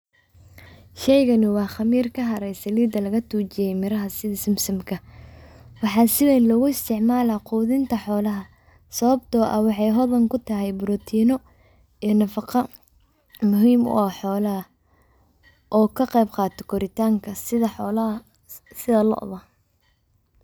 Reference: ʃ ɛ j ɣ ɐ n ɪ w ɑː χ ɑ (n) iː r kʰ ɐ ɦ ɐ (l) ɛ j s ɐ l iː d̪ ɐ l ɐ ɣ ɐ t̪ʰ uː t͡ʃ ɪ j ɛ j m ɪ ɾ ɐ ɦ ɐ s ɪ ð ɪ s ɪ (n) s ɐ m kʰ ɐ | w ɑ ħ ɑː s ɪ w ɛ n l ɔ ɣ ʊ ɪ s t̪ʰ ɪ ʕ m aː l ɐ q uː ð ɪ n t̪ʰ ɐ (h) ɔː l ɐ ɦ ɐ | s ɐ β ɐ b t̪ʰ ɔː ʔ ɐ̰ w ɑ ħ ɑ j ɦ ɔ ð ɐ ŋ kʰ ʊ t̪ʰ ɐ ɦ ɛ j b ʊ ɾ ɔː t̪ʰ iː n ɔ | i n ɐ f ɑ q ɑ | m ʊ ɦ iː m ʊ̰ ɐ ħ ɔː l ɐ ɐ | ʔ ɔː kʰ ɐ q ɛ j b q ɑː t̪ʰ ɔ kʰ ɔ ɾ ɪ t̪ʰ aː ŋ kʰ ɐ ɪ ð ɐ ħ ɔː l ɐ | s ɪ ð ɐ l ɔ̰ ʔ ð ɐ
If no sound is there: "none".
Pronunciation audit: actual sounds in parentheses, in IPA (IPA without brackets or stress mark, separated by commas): m, ɾ, m, ħ